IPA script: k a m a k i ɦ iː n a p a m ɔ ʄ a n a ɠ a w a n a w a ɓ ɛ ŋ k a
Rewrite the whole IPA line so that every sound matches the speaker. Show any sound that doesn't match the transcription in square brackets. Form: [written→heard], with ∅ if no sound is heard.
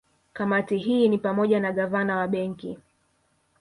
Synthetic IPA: k a m a [k→t] i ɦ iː n [a→i] p a m ɔ ʄ a n a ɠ a [w→v] a n a w a ɓ ɛ ŋ k [a→i]